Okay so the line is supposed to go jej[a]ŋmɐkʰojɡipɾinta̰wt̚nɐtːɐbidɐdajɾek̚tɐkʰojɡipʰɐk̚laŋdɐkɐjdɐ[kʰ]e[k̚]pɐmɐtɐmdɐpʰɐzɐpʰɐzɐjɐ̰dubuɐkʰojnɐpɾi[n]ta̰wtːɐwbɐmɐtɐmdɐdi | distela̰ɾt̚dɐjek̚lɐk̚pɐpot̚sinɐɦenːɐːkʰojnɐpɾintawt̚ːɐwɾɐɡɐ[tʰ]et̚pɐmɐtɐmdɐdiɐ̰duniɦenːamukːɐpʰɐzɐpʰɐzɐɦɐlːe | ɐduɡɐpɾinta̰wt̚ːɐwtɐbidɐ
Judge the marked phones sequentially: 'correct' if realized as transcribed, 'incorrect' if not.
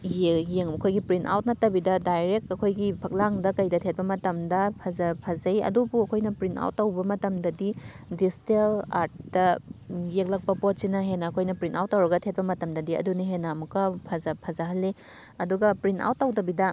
incorrect: e, incorrect: tʰ, incorrect: t̚, correct, correct

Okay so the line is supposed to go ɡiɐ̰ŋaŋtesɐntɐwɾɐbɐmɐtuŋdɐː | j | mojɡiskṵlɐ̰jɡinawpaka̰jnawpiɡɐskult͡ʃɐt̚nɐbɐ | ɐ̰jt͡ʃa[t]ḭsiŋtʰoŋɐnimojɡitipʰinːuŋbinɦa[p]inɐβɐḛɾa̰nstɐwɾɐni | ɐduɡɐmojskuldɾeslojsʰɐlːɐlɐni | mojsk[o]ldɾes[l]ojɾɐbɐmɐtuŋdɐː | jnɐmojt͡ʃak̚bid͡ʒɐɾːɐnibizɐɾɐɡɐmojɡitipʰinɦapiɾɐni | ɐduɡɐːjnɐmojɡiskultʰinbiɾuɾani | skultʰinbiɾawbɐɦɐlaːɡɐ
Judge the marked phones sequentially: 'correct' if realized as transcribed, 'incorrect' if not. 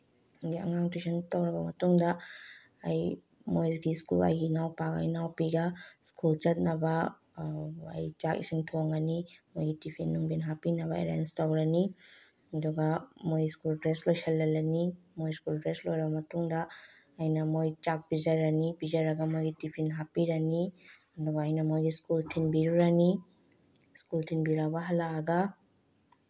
incorrect: k, correct, incorrect: u, correct

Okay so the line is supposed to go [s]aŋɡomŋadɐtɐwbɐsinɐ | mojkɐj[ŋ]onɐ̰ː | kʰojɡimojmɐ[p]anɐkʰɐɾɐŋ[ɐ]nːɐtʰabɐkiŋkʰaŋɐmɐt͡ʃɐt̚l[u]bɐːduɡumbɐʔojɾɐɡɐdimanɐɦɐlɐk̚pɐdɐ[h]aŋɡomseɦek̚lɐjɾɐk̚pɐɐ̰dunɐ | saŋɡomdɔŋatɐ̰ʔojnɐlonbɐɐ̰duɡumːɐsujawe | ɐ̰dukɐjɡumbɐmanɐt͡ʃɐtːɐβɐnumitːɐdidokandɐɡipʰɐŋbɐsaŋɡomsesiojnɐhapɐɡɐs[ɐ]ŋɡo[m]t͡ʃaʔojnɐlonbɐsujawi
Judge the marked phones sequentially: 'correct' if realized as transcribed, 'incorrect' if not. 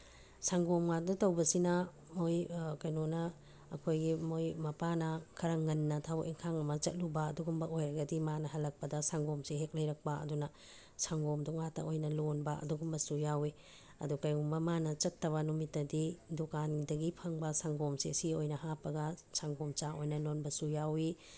correct, incorrect: n, correct, correct, correct, incorrect: s, incorrect: a, correct

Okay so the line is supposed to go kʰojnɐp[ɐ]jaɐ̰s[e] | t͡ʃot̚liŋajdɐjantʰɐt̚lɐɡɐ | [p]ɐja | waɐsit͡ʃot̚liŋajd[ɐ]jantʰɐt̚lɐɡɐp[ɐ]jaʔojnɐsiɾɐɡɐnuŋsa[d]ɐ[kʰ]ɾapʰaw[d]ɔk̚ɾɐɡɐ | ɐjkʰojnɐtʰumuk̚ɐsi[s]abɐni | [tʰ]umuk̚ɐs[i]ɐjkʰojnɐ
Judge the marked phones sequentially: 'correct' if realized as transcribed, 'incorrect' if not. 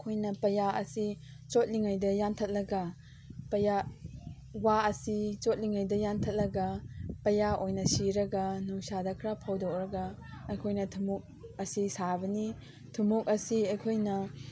correct, incorrect: i, correct, correct, correct, correct, correct, correct, correct, correct, correct

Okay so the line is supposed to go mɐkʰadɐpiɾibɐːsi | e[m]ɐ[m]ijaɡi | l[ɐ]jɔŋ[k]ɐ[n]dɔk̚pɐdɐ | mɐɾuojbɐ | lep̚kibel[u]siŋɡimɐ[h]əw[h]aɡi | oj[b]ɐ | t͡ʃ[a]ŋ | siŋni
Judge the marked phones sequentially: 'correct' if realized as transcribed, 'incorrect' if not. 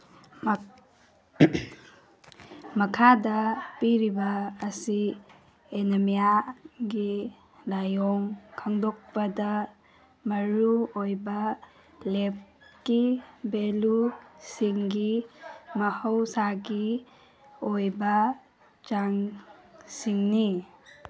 incorrect: n, correct, incorrect: a, incorrect: kʰ, incorrect: ŋ, correct, correct, incorrect: s, correct, correct

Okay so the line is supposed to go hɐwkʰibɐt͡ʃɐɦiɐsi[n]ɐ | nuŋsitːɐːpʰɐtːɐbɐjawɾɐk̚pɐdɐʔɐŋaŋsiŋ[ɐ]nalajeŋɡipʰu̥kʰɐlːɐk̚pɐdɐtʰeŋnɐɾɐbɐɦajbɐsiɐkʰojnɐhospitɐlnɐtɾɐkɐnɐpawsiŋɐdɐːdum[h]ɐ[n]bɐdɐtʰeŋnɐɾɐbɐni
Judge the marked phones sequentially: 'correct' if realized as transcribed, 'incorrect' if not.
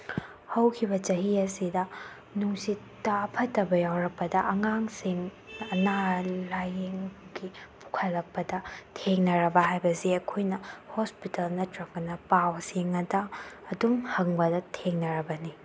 incorrect: d, correct, correct, incorrect: ŋ

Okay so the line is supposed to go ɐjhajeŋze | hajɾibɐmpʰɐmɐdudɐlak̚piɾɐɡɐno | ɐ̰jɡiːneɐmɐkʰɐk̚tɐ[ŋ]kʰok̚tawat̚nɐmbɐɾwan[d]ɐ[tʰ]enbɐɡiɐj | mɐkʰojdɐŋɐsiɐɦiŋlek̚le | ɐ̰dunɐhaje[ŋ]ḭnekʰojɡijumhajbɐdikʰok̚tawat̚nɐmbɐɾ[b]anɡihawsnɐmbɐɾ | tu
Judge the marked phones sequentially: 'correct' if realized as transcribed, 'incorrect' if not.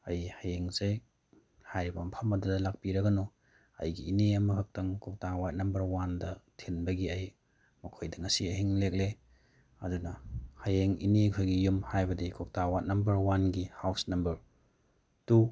correct, correct, correct, correct, incorrect: w

